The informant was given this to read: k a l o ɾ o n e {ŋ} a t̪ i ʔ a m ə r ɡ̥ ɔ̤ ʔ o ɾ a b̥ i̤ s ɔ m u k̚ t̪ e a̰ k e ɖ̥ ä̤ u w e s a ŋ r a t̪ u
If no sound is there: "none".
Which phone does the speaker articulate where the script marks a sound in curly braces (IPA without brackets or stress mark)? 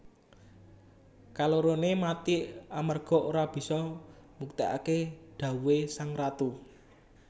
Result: m